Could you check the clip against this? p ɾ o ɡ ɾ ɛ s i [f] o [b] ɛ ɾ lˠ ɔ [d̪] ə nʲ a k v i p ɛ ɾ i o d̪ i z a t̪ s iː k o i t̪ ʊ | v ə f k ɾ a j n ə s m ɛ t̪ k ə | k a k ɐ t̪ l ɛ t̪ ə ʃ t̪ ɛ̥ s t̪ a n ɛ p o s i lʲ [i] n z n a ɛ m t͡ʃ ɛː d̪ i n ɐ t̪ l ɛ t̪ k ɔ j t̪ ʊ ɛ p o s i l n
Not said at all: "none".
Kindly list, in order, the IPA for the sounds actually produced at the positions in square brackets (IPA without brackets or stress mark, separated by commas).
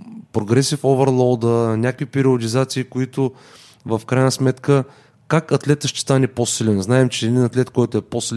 f, v, d̪, ɛ